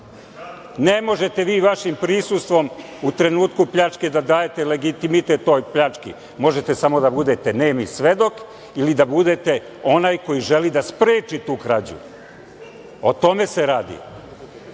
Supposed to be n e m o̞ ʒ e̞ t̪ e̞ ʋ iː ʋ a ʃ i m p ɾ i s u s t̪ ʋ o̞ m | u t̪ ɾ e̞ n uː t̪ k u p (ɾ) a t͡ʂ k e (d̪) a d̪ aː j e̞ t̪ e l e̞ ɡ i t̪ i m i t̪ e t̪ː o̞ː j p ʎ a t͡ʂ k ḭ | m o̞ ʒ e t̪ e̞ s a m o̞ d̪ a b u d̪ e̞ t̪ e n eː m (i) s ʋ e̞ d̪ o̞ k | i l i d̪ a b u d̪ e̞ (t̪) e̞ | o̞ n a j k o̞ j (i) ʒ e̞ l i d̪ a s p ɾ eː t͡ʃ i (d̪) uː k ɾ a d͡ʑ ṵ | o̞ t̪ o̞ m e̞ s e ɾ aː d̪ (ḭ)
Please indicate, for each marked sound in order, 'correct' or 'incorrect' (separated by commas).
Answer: incorrect, correct, correct, correct, correct, incorrect, correct